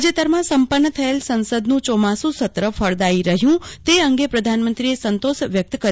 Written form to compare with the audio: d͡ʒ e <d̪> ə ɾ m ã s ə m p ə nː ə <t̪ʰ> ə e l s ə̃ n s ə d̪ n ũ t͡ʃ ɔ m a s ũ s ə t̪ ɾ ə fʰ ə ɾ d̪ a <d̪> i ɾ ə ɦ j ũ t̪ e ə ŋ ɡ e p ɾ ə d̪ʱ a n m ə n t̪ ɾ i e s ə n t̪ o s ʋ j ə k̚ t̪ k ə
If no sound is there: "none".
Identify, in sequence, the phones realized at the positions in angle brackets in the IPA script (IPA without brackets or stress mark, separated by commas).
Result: t̪, t̪ʰ, none